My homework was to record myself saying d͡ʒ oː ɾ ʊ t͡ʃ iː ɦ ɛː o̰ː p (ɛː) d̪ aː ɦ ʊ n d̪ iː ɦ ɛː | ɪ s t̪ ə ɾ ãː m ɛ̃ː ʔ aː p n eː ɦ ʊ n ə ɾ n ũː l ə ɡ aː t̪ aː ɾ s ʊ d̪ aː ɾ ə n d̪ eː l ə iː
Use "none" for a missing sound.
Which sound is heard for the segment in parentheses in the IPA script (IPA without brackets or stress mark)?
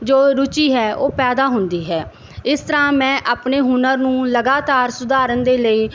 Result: ɛː